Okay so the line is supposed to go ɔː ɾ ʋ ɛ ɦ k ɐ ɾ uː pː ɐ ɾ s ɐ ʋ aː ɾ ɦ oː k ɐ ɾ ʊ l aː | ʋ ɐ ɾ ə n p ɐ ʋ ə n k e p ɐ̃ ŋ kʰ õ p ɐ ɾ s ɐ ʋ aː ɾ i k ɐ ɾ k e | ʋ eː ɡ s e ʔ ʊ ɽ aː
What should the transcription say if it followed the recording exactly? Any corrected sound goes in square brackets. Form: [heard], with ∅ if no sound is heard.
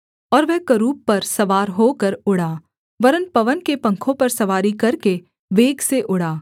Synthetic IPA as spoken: ɔː ɾ ʋ ɛ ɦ k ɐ ɾ uː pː ɐ ɾ s ɐ ʋ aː ɾ ɦ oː k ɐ ɾ ʊ [ɽ] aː | ʋ ɐ ɾ ə n p ɐ ʋ ə n k e p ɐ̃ ŋ kʰ õ p ɐ ɾ s ɐ ʋ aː ɾ i k ɐ ɾ k e | ʋ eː ɡ s e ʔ ʊ ɽ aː